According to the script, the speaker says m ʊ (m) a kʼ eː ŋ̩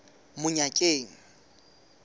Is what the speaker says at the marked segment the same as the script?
no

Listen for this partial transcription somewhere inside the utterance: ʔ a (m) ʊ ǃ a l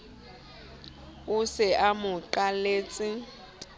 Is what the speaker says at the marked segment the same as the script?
yes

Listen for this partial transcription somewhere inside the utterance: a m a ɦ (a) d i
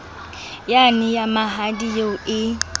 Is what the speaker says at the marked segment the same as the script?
yes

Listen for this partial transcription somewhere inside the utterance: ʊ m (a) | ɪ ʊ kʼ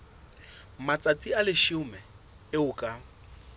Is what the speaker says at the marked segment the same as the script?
no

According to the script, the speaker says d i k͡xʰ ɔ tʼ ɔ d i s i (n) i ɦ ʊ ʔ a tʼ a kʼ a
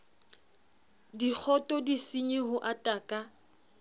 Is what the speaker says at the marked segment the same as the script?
no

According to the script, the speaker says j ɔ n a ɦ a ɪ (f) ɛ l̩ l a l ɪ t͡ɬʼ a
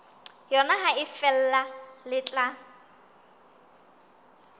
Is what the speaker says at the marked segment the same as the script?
yes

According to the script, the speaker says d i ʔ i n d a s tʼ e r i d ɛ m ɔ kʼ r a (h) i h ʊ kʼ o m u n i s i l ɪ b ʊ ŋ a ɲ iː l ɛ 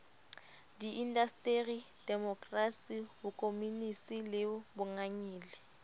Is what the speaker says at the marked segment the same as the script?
no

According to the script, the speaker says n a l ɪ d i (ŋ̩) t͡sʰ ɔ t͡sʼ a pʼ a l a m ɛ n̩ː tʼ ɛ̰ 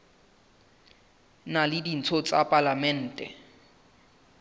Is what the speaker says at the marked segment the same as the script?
no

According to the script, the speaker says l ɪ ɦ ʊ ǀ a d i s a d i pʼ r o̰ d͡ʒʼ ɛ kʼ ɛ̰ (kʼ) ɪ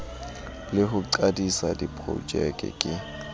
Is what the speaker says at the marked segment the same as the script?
yes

